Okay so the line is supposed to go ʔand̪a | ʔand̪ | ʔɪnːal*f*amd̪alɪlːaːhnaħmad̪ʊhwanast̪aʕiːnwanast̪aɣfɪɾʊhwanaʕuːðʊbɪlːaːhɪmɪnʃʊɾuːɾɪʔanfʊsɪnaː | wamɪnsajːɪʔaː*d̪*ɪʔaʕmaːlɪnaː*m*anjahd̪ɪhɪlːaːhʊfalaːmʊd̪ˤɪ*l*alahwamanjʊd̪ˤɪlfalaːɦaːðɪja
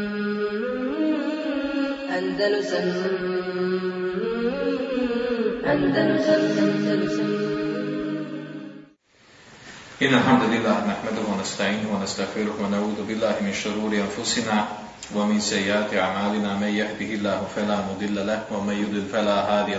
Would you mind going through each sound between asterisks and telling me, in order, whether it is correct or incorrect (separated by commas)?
incorrect, incorrect, correct, incorrect